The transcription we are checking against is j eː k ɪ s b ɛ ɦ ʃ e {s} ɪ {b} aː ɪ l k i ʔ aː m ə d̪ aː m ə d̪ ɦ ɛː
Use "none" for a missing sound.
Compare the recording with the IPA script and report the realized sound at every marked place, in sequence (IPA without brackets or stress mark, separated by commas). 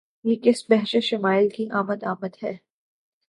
ʃ, m